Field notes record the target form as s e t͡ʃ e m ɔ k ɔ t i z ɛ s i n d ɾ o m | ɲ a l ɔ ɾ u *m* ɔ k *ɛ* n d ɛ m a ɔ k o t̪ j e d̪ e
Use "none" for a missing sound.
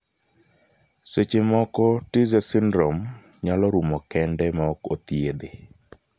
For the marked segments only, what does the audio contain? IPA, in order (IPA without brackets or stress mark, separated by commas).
m, ɛ